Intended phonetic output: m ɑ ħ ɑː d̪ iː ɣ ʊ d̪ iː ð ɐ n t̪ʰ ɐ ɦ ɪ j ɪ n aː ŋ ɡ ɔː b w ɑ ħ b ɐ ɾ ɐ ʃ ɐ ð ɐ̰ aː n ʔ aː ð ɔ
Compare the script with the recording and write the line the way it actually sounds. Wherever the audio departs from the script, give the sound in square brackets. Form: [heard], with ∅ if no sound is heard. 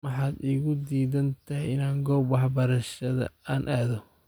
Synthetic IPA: m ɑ ħ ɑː d̪ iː ɣ ʊ d̪ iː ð ɐ n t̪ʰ ɐ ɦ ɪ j ɪ n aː ŋ ɡ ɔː b w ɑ ħ b ɐ ɾ ɐ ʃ ɐ ð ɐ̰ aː n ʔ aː ð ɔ